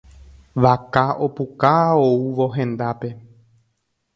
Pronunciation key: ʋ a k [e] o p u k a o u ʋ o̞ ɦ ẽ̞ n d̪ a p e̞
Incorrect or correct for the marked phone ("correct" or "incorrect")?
incorrect